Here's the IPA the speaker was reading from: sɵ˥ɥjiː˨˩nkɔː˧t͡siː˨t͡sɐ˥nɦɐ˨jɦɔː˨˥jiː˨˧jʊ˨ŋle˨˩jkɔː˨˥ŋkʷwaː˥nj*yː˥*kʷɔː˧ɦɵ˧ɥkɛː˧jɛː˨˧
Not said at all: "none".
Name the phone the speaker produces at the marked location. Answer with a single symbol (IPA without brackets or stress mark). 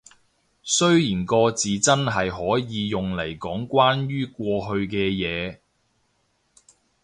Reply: yː˥